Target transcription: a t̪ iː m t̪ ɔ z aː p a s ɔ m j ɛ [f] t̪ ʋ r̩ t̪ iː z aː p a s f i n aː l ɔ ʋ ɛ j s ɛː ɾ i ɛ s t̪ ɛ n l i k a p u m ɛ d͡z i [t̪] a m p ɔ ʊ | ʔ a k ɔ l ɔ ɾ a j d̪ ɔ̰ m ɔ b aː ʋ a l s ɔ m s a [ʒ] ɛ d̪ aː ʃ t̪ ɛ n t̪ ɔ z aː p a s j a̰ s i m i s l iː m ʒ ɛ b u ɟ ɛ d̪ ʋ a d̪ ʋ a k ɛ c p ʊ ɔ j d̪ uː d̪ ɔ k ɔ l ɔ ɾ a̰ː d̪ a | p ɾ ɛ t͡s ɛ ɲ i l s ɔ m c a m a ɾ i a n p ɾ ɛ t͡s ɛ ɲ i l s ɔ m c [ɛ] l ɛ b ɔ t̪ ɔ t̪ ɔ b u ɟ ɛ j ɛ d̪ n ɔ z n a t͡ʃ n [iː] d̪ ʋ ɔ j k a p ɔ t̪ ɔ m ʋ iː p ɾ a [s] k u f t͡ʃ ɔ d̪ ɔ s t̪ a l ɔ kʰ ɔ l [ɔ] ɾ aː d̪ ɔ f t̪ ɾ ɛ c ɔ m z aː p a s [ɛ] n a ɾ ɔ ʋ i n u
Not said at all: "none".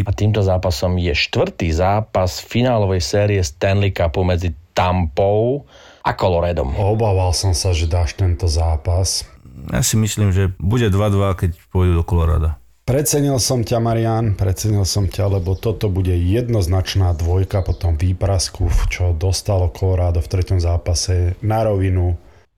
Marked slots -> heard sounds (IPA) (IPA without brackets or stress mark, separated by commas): ʃ, t̪, ʒ, a, aː, s, ɔ, ɛ